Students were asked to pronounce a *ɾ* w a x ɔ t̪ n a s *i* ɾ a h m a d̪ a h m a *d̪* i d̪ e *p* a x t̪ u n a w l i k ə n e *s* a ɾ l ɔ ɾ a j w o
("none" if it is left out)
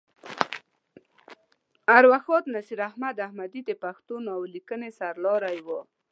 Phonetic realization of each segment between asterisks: ɾ, i, d̪, p, s

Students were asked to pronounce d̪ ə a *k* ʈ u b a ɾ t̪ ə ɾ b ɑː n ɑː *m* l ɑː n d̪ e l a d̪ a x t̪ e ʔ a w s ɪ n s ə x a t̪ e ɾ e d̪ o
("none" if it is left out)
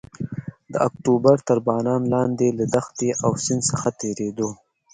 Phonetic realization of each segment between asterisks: k, n

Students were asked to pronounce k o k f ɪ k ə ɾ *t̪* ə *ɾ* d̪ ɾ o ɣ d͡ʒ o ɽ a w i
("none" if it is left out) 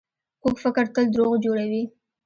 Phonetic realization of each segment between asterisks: t̪, l

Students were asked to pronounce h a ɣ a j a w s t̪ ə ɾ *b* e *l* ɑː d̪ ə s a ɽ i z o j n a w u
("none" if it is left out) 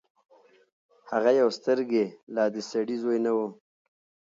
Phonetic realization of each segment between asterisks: ɡ, l

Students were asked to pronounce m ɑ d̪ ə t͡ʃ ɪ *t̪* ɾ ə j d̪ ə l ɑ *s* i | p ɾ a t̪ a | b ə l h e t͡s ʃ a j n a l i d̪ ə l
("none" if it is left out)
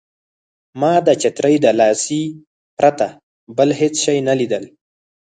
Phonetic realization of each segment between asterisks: t̪, s

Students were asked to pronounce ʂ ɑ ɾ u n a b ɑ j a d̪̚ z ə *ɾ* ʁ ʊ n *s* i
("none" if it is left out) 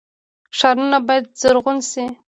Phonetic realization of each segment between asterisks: ɾ, s

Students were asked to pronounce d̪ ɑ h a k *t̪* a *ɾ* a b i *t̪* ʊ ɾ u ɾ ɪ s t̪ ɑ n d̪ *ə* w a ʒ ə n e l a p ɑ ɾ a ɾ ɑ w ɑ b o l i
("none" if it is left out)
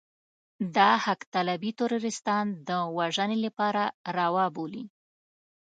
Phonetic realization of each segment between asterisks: t̪, l, t̪, ə

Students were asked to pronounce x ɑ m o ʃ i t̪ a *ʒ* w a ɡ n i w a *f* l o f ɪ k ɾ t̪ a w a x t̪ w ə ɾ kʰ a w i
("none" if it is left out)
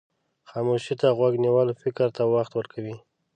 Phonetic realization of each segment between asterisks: ɣ, none

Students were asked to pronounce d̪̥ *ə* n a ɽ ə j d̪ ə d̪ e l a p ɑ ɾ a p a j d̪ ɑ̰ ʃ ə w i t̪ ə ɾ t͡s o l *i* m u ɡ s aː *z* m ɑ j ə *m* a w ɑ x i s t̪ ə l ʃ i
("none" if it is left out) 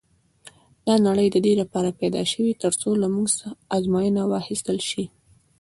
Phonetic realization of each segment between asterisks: ɑ, a, z, n

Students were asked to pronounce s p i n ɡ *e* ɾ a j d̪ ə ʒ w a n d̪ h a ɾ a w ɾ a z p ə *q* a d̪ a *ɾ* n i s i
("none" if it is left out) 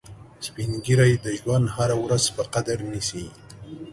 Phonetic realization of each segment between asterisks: i, q, ɾ

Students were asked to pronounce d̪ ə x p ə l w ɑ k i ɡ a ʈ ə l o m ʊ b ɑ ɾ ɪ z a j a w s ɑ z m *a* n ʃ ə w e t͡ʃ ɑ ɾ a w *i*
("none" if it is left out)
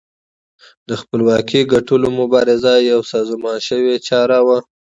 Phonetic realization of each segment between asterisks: ɑ, a

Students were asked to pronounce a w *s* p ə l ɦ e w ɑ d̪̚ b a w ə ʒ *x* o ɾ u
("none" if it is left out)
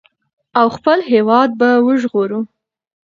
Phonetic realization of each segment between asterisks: x, ɣ

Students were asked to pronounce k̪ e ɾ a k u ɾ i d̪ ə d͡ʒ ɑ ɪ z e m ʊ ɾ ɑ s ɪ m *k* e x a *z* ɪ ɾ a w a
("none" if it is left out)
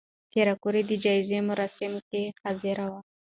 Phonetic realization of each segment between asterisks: k, z

